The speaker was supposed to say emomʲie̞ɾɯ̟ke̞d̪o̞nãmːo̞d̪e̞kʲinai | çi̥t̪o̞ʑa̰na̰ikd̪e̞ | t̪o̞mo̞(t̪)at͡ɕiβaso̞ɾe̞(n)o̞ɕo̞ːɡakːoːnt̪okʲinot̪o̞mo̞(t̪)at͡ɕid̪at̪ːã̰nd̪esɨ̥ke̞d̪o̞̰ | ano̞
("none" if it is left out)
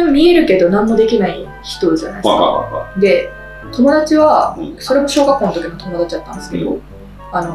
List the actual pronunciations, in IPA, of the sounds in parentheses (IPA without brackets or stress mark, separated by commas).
d̪, m, d̪